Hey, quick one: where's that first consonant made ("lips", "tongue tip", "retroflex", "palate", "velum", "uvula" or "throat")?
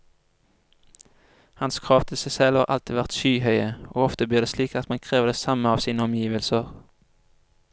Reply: throat